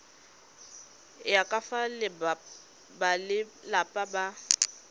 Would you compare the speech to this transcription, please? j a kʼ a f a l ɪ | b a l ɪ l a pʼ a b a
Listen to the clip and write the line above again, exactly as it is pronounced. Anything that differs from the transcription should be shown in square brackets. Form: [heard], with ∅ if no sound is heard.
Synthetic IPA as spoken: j a kʼ a f a l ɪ | b a l ɪ l a pʼ a b a